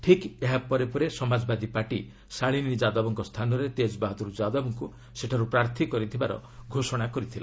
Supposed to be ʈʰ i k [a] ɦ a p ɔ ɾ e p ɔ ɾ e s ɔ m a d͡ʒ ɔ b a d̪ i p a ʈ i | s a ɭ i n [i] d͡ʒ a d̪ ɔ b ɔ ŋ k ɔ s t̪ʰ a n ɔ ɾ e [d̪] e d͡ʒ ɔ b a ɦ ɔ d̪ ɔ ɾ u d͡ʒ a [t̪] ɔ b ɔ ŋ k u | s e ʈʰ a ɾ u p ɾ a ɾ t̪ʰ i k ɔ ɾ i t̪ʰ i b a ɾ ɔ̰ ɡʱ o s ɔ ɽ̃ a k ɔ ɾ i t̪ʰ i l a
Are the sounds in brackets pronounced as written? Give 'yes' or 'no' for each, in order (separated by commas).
no, yes, no, no